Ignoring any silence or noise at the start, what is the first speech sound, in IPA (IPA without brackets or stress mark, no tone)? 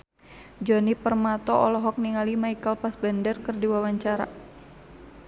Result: d͡ʒ